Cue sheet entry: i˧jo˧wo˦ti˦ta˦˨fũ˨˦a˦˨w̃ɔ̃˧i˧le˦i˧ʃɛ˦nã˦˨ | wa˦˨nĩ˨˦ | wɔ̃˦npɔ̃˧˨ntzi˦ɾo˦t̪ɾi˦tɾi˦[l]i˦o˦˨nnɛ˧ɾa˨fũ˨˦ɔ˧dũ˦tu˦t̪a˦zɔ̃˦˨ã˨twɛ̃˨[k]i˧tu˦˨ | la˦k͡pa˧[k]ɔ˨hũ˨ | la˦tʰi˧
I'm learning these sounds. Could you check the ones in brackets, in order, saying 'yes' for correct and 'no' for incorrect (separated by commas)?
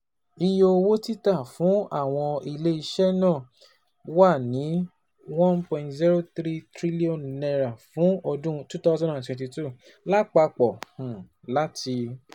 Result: yes, no, no